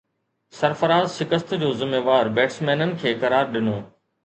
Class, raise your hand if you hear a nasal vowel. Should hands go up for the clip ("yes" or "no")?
no